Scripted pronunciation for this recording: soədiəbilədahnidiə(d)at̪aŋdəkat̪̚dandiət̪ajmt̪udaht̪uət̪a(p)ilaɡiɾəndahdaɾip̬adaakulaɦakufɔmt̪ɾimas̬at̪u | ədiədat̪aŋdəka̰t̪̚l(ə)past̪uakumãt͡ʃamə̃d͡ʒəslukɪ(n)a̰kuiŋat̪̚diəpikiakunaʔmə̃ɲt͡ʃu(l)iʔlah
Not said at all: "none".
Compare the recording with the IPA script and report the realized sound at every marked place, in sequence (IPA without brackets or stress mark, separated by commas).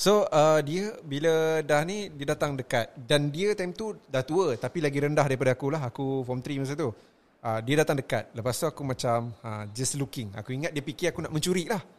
d, p, ə, ŋ, ɾ